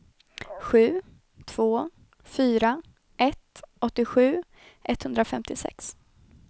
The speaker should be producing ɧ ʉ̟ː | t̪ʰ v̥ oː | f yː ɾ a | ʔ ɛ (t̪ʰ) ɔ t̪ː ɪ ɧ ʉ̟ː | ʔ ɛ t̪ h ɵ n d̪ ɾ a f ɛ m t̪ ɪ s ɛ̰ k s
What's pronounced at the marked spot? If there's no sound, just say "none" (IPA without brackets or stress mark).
t̪